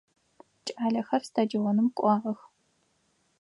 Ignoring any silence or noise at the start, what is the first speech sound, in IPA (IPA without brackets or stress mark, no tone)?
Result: t͡ʃʼ